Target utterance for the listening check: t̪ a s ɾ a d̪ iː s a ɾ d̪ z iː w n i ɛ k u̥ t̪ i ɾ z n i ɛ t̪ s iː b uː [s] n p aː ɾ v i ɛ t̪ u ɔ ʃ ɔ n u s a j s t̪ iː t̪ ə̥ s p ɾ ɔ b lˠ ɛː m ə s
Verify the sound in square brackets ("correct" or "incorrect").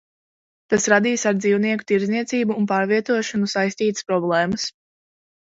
incorrect